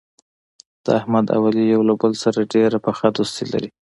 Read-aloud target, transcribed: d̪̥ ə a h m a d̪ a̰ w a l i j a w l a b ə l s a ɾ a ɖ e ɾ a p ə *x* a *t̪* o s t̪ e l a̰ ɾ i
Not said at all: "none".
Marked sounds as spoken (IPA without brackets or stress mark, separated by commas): x, d̪